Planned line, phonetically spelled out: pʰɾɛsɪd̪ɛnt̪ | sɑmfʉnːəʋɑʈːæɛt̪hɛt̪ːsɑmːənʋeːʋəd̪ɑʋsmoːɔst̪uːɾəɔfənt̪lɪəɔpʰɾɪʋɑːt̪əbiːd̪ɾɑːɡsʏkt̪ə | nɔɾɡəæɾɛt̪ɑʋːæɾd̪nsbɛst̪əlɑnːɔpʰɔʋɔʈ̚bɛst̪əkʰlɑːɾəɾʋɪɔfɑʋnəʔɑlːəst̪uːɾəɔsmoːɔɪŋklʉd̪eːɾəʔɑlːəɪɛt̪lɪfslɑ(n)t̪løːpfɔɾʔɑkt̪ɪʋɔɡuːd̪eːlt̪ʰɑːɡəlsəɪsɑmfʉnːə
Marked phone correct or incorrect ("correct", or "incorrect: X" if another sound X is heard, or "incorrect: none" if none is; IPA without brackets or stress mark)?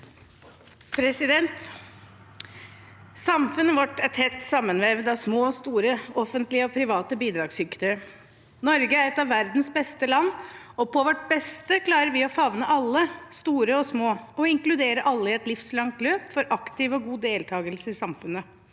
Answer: incorrect: ŋ